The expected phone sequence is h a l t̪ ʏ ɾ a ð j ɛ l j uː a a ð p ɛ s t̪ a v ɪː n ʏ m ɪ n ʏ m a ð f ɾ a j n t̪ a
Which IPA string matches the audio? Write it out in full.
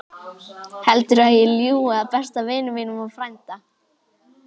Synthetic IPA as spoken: h ɛ l t̪ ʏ ɾ a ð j ɛ l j uː a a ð p ɛ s t̪ a v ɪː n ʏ m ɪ n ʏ m a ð f ɾ a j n t̪ a